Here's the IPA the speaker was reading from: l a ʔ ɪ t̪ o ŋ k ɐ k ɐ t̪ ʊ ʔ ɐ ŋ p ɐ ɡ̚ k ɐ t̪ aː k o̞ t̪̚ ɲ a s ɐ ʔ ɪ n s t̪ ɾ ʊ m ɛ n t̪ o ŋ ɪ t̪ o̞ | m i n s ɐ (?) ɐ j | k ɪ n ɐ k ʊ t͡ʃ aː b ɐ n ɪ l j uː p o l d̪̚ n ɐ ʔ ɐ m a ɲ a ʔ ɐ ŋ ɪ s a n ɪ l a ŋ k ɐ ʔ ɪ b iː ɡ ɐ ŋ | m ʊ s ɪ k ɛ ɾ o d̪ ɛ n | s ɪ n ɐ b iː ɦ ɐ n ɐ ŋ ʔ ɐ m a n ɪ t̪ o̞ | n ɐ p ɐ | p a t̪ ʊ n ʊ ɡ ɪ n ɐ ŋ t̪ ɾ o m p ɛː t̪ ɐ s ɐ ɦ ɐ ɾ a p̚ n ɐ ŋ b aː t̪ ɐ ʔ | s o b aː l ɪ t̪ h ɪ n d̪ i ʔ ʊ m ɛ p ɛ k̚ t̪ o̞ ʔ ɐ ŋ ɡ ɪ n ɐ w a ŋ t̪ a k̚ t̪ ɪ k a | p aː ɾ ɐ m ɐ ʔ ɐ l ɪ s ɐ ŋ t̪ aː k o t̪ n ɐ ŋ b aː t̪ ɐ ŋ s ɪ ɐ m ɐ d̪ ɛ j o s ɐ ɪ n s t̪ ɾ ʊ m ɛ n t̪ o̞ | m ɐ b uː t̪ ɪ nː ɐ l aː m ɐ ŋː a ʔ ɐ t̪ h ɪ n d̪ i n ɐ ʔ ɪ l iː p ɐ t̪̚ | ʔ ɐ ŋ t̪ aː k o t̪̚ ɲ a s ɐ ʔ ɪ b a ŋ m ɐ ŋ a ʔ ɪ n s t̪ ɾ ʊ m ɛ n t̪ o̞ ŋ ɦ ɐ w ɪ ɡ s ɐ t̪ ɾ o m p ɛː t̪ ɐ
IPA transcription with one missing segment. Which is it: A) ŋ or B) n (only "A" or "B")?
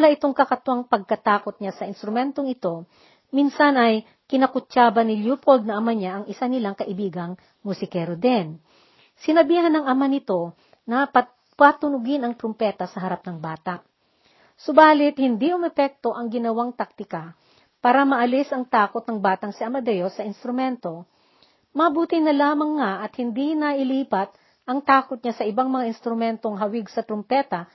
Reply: B